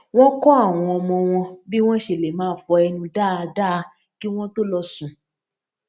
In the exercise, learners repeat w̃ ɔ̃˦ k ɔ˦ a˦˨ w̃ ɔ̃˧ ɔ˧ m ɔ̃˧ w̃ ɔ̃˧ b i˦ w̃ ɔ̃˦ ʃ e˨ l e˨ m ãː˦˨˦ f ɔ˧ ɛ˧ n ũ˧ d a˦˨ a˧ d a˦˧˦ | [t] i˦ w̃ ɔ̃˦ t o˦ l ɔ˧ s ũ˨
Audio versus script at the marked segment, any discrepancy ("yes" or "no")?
yes